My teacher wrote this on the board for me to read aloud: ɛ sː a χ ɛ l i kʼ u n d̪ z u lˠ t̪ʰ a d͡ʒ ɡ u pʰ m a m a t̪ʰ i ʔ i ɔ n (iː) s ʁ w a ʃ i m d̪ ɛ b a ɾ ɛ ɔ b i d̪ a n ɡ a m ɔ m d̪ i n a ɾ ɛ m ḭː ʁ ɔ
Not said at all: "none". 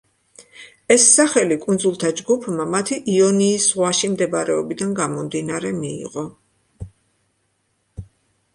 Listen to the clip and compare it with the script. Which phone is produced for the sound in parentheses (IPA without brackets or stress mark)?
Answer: iː